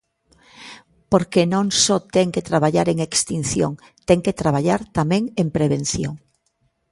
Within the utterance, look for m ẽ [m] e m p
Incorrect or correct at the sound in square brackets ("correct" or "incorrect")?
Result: incorrect